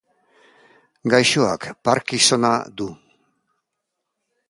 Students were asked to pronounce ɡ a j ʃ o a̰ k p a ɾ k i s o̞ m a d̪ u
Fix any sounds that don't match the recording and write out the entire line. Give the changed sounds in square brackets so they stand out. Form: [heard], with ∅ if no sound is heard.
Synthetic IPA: ɡ a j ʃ o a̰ k p a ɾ k i s o̞ [n] a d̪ u